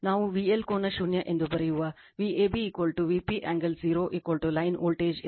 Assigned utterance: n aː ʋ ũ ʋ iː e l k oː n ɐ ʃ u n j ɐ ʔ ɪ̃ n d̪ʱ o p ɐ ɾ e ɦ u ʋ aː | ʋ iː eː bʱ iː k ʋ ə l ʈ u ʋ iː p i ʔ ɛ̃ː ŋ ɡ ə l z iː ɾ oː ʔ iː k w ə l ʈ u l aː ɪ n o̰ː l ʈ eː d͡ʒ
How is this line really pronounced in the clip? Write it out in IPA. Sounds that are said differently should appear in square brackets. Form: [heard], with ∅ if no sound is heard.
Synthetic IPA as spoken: n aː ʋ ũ ʋ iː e l k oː n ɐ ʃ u n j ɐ ʔ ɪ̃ n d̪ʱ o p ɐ ɾ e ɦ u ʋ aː | ʋ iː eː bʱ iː k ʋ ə l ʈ u ʋ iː p i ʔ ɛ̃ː ŋ ɡ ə l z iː ɾ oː ʔ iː k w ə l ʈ u l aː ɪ n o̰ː l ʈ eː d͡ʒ